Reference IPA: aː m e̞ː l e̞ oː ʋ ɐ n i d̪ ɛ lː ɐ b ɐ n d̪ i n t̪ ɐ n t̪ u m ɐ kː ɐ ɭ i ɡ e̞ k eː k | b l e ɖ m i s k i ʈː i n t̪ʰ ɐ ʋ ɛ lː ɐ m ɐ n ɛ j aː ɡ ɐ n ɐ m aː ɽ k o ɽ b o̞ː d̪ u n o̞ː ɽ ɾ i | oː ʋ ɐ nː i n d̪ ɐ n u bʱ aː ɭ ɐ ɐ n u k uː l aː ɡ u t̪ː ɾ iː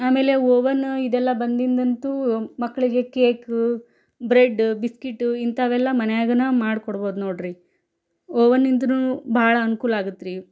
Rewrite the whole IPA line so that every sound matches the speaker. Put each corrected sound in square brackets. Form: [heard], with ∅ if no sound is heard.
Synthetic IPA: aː m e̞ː l e̞ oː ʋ ɐ n i d̪ ɛ lː ɐ b ɐ n d̪ i n [d̪] ɐ n t̪ u m ɐ kː ɐ ɭ i ɡ e̞ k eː k | b [ɾ] e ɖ [b] i s k i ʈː i n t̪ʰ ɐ ʋ ɛ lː ɐ m ɐ n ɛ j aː ɡ ɐ n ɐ m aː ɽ k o ɽ b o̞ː d̪ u n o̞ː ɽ ɾ i | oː ʋ ɐ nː i n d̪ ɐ n u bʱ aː ɭ ɐ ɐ n u k uː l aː ɡ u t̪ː ɾ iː